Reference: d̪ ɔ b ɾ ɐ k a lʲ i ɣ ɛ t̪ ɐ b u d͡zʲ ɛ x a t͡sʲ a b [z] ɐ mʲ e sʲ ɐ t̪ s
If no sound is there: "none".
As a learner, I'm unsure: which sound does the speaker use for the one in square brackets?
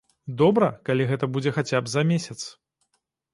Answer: z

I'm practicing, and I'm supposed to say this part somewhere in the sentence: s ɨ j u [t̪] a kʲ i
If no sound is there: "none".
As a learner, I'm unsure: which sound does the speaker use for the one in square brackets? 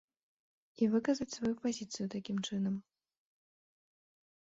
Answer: t̪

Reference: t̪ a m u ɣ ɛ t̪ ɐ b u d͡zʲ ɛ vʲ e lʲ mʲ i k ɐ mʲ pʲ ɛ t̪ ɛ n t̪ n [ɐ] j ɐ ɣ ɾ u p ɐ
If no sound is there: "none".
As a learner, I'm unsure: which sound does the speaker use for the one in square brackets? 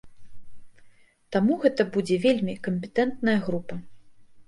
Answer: ɐ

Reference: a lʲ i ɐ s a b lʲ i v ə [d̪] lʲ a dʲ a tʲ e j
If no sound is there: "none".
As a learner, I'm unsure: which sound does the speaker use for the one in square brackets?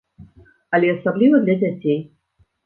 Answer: d̪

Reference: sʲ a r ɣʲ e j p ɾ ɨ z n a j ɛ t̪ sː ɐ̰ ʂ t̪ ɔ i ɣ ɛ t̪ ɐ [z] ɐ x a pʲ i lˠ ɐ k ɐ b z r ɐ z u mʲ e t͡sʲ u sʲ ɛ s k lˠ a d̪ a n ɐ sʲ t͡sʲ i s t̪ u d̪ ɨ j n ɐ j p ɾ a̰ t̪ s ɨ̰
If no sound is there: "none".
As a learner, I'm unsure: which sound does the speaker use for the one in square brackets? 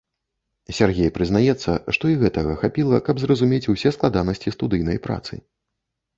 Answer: ɣ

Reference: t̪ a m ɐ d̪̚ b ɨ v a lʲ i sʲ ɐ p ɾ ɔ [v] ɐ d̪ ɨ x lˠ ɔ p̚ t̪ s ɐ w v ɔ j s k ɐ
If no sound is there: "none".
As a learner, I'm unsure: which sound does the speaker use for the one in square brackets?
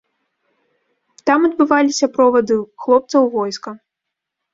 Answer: v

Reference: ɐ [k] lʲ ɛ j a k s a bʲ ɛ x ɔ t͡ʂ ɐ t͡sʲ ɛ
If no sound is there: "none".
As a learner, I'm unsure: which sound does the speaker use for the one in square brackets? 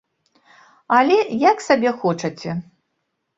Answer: none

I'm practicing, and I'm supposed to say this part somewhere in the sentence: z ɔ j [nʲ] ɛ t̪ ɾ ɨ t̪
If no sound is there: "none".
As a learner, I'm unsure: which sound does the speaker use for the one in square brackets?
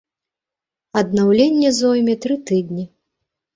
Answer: mʲ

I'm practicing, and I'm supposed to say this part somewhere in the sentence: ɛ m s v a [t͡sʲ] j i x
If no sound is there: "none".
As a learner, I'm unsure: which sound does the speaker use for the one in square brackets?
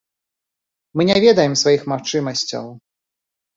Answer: none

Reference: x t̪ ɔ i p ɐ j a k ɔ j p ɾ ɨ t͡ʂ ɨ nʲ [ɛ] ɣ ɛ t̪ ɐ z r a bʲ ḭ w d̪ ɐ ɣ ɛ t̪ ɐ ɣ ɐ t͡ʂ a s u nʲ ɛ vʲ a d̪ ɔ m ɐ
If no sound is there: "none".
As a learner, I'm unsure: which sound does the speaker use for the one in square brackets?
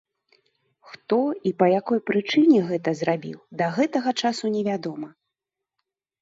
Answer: ɛ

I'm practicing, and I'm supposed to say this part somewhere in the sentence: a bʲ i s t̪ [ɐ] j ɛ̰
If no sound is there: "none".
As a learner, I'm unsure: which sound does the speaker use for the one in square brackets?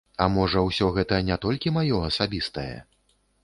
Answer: ɐ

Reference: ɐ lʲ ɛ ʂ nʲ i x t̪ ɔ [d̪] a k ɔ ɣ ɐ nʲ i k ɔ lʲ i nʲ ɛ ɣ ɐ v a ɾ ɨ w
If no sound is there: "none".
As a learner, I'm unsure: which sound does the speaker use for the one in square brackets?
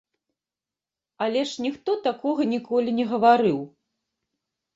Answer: t̪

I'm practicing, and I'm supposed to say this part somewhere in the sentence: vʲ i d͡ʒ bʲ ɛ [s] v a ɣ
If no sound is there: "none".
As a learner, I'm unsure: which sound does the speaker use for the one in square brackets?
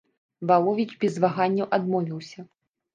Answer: z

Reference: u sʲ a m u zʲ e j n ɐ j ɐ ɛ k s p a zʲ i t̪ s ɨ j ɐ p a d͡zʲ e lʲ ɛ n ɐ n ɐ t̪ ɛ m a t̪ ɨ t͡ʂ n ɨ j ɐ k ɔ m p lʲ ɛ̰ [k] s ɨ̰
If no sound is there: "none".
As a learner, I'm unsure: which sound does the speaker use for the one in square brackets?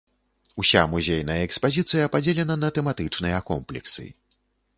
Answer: k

